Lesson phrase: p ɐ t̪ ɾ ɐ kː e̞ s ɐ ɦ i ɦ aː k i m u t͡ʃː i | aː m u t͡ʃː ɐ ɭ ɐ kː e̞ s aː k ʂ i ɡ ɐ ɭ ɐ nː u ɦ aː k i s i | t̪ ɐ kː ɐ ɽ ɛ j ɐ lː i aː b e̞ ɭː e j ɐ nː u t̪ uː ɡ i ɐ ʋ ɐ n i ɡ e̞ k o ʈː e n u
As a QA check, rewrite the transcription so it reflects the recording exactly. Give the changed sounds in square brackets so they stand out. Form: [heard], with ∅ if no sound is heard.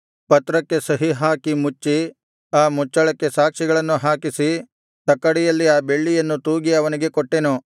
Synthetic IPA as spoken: p ɐ t̪ ɾ ɐ kː e̞ s ɐ ɦ i ɦ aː k i m u t͡ʃː i | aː m u t͡ʃː ɐ ɭ ɐ kː e̞ s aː k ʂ i ɡ ɐ ɭ ɐ nː u ɦ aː k i s i | t̪ ɐ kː ɐ ɽ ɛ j ɐ lː i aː b e̞ ɭː [i] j ɐ nː u t̪ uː ɡ i ɐ ʋ ɐ n i ɡ e̞ k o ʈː e n u